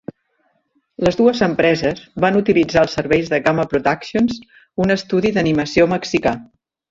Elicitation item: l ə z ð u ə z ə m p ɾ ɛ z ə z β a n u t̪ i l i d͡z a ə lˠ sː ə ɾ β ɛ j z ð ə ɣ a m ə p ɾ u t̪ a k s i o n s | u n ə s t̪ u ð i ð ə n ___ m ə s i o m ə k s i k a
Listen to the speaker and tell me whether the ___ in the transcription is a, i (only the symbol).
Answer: i